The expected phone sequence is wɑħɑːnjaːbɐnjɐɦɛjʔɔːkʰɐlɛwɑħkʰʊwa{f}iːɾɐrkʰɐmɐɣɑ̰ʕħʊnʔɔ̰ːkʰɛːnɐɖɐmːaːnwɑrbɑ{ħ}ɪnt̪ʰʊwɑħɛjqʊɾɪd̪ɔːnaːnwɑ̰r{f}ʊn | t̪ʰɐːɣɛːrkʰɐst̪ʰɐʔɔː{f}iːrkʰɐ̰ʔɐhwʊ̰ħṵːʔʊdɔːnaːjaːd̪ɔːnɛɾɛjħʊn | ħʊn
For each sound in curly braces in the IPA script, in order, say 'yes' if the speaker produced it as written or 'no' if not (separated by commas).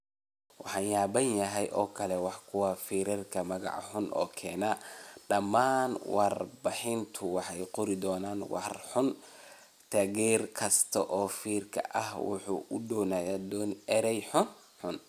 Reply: yes, yes, no, yes